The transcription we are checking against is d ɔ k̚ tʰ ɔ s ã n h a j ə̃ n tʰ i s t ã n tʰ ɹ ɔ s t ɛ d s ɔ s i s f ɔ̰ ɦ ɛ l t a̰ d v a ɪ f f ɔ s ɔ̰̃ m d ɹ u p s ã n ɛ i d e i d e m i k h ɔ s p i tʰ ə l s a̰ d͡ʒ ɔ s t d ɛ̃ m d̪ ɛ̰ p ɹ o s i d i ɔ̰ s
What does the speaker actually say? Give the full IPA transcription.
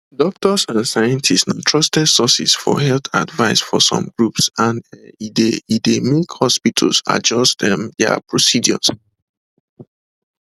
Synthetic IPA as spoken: d ɔ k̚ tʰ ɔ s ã n s a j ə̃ n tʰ i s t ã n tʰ ɹ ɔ s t ɛ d s ɔ s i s f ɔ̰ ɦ ɛ l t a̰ d v a ɪ s f ɔ s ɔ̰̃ m ɡ ɹ u p s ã n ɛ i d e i d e m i k h ɔ s p i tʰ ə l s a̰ d͡ʒ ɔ s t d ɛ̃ m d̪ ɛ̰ p ɹ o s i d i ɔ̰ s

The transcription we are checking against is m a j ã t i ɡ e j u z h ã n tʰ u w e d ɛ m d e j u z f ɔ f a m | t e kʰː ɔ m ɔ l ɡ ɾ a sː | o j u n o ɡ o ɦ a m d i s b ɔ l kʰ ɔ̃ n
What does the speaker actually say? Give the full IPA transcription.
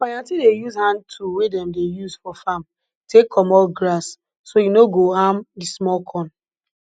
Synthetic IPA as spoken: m a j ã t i d e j u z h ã n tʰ u w e d ɛ m d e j u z f ɔ f a m | t e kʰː ɔ m ɔ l ɡ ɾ a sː | o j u n o ɡ o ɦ a m d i s m ɔ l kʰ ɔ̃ n

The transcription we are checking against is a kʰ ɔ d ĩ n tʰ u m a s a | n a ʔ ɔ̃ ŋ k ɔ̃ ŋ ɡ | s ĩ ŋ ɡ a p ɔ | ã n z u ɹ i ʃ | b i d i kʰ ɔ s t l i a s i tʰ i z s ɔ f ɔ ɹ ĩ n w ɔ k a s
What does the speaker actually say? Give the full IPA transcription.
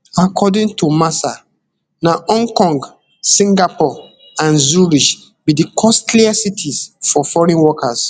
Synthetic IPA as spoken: a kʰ ɔ d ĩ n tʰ u m a s a | n a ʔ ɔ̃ ŋ k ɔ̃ ŋ ɡ | s ĩ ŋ ɡ a p ɔ | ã n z u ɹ i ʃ | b i d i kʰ ɔ s t l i a s i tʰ i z f ɔ f ɔ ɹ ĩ n w ɔ k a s

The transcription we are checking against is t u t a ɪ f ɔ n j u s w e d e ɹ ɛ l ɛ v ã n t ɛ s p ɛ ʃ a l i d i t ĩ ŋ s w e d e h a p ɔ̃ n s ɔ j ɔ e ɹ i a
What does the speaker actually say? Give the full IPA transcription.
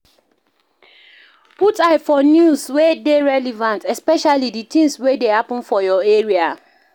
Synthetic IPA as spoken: p u t a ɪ f ɔ n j u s w e d e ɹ ɛ l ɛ v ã n t ɛ s p ɛ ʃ a l i d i t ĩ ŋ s w e d e h a p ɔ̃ n f ɔ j ɔ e ɹ i a

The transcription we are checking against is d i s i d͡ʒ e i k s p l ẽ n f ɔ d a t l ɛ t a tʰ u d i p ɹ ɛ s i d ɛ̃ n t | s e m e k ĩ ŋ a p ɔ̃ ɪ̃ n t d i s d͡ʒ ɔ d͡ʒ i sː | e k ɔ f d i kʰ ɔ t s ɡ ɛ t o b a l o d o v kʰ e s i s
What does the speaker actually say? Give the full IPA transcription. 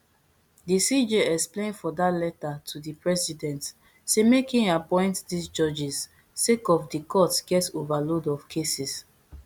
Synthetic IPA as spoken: d i s i d͡ʒ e ɛ k s p l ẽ n f ɔ d a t l ɛ t a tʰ u d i p ɹ ɛ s i d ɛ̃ n t | s e m e k ĩ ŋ a p ɔ̃ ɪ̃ n t d i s d͡ʒ ɔ d͡ʒ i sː | e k ɔ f d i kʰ ɔ t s ɡ ɛ t o v a l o d ɔ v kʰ e s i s

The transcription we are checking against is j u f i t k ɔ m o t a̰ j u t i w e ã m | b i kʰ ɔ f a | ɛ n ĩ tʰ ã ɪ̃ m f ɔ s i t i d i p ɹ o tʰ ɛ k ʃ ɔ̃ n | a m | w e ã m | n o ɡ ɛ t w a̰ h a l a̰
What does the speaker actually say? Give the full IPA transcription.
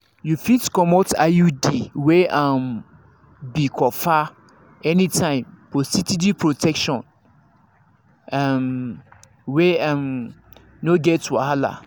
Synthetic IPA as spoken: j u f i t k ɔ m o t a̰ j u d i w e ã m | b i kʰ ɔ f a | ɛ n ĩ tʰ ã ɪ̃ m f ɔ s i t i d i p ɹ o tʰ ɛ k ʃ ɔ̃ n | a m | w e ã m | n o ɡ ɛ t w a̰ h a l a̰

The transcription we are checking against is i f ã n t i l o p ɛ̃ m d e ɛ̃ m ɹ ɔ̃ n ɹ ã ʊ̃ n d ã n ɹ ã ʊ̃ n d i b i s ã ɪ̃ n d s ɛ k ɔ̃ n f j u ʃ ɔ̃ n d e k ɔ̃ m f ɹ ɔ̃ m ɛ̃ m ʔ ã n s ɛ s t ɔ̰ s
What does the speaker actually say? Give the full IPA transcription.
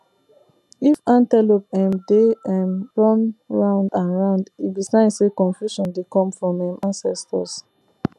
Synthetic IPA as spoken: i f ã n t ɛ l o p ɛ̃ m d e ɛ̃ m ɹ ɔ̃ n ɹ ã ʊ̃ n d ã n ɹ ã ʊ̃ n d i b i s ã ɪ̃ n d s e k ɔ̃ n f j u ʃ ɔ̃ n d e k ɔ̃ m f ɹ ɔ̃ m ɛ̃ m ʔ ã n s ɛ s t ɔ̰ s

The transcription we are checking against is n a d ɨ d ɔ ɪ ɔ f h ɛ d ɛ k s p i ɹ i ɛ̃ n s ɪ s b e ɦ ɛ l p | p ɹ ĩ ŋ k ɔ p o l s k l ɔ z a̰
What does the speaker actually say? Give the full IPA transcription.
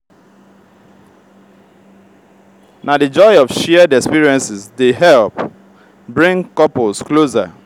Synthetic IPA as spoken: n a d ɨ d͡ʒ ɔ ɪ ɔ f ʃ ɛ d ɛ k s p i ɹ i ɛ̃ n s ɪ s d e ɦ ɛ l p | b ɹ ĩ ŋ k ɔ p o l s k l o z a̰

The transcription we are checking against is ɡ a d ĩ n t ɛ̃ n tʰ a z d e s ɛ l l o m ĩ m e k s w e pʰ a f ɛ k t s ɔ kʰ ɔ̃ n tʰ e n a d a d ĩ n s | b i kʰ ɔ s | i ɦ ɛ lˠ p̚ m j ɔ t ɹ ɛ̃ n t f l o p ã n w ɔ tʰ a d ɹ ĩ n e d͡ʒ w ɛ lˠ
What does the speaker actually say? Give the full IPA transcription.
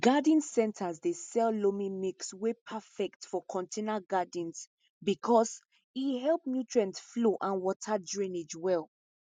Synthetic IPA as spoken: ɡ a d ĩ n s ɛ̃ n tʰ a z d e s ɛ l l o m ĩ m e k s w e pʰ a f ɛ k t f ɔ kʰ ɔ̃ n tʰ e n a ɡ a d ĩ n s | b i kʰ ɔ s | i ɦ ɛ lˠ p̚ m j u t ɹ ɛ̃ n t f l o ʔ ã n w ɔ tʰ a d ɹ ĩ n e d͡ʒ w ɛ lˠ

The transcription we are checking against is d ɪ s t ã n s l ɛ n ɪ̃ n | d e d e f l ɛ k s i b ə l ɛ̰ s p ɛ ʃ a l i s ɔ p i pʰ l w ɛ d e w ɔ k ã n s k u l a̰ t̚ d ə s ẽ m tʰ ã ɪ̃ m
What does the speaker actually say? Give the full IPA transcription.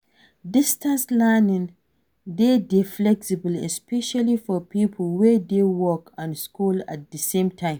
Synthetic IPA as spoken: d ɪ s t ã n s l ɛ n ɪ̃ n | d e d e f l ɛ k s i b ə l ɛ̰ s p ɛ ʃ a l i f ɔ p i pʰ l w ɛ d e w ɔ k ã n s k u l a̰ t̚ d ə s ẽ m tʰ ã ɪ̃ m

